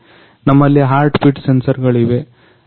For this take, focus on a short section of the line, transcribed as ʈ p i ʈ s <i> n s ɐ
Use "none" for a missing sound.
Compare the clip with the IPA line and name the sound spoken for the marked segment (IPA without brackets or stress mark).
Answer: e